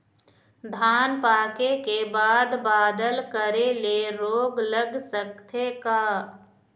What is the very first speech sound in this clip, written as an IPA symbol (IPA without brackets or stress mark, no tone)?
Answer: d̪ʱ